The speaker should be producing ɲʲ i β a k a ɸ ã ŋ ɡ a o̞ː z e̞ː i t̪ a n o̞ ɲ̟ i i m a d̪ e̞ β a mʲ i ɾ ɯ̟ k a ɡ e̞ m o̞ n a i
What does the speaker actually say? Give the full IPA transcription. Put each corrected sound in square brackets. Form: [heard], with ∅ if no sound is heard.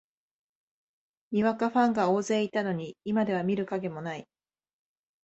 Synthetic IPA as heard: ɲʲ i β a k a ɸ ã ŋ ɡ a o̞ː z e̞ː i t̪ a n o̞ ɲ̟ i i m a d̪ e̞ β a mʲ i ɾ ɯ̟ k a ɡ e̞ m o̞ n a i